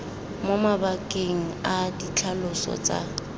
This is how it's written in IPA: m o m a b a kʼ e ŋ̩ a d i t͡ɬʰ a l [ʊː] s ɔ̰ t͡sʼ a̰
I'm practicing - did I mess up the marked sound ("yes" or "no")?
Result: yes